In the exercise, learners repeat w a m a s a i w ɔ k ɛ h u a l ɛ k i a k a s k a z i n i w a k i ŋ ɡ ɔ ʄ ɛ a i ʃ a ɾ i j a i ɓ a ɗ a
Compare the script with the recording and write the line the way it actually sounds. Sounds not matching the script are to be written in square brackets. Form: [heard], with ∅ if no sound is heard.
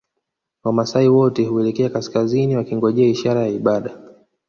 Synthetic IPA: w a m a s a i w ɔ [t] ɛ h u [ɛ] l ɛ k [ɛ] a k a s k a z i n i w a k i ŋ ɡ ɔ ʄ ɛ a i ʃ a ɾ [a] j a i ɓ a ɗ a